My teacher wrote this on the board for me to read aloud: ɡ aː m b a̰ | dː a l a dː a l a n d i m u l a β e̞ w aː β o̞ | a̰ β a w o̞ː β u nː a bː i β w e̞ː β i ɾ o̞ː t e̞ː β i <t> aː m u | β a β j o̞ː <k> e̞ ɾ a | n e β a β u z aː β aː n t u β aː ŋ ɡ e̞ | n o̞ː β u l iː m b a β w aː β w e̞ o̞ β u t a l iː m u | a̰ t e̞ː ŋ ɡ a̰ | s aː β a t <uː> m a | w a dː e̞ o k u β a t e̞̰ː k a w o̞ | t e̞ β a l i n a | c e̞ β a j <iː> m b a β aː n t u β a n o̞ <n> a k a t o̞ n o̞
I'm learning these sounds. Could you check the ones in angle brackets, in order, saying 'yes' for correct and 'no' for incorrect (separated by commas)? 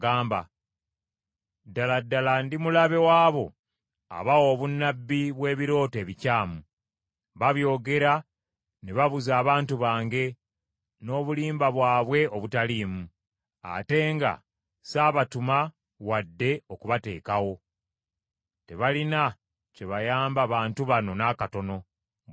no, no, no, no, yes